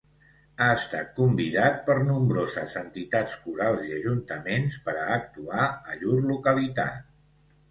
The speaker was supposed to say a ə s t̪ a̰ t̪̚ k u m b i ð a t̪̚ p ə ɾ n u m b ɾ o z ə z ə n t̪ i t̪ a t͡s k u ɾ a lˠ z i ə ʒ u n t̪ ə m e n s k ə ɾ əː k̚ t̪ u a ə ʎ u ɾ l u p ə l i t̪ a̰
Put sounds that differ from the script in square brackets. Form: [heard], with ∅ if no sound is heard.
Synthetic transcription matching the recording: a ə s t̪ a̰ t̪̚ k u m b i ð a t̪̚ p ə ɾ n u m b ɾ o z ə z ə n t̪ i t̪ a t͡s k u ɾ a lˠ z i ə ʒ u n t̪ ə m e n s [p] ə ɾ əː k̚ t̪ u a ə ʎ u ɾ l u [k] ə l i t̪ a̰